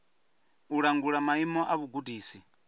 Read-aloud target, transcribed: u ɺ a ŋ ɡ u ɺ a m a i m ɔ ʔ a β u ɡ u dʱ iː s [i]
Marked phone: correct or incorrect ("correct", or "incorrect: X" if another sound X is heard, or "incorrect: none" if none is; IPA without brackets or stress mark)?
correct